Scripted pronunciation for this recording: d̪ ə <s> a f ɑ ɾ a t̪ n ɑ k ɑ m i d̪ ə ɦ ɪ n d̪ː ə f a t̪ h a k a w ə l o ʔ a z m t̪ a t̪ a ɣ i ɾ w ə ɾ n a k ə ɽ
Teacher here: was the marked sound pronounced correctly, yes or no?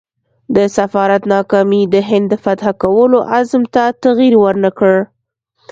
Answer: yes